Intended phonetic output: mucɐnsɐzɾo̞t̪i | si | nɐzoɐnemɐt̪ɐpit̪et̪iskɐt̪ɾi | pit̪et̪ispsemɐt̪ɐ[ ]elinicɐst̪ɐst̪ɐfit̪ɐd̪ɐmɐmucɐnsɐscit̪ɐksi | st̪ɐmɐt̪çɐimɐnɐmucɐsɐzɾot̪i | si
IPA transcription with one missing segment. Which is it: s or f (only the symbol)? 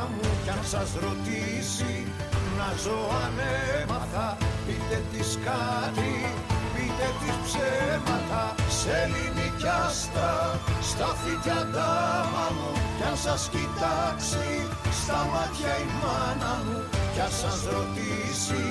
s